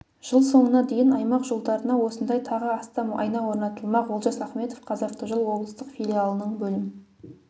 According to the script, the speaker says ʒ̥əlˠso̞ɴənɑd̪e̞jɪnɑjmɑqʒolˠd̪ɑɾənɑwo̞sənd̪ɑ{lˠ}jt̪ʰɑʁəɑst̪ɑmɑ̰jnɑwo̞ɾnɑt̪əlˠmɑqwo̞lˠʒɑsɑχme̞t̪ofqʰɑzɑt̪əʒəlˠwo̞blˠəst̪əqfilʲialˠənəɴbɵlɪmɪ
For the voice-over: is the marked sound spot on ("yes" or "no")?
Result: no